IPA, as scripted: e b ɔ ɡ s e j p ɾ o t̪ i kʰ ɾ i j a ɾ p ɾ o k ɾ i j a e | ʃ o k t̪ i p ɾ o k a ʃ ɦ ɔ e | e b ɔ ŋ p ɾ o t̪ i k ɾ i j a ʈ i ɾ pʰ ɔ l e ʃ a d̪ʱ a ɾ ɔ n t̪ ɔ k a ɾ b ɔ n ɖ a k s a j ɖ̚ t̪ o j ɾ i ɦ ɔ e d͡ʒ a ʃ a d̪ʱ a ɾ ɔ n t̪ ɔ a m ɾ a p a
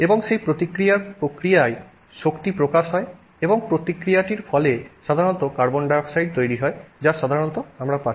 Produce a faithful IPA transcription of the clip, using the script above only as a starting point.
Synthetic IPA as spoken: e b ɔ ŋ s e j p ɾ o t̪ i k ɾ i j a ɾ p ɾ o k ɾ i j a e | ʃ o k t̪ i p ɾ o k a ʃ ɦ ɔ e | e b ɔ ŋ p ɾ o t̪ i k ɾ i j a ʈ i ɾ pʰ ɔ l e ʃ a d̪ʱ a ɾ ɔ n t̪ ɔ k a ɾ b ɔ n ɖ a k s a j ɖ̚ t̪ o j ɾ i ɦ ɔ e d͡ʒ a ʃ a d̪ʱ a ɾ ɔ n t̪ ɔ a m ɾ a p a